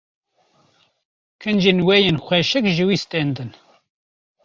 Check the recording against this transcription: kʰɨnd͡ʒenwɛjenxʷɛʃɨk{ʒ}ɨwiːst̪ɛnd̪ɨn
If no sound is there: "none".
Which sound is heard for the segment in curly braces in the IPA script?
ʒ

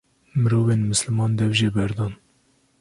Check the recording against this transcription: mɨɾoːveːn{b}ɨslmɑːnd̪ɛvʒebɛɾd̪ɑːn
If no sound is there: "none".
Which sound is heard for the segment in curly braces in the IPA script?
m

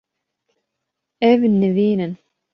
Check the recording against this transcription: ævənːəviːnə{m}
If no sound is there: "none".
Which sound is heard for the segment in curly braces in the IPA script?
n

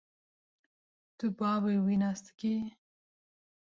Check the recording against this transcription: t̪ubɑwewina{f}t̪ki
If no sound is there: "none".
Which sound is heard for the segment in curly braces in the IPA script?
s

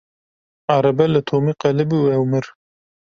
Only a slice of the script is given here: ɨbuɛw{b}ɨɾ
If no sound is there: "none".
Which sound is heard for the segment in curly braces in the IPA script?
m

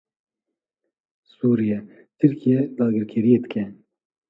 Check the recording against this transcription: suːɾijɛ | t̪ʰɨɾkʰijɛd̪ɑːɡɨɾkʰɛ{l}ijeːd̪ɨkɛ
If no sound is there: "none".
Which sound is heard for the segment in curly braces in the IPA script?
ɾ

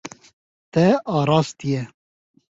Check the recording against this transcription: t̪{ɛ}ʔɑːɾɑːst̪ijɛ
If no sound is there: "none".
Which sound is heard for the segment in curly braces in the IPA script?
ɛ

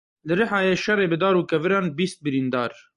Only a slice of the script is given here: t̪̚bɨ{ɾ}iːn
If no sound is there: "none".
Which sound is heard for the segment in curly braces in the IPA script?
ɾ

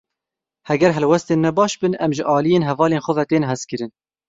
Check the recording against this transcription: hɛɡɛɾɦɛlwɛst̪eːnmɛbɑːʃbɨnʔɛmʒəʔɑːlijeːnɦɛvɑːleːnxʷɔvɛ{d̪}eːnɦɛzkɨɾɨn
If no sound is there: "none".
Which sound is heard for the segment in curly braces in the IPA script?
t̪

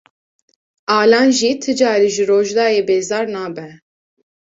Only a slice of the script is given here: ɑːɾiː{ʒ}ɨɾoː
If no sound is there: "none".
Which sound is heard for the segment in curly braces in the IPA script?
ʒ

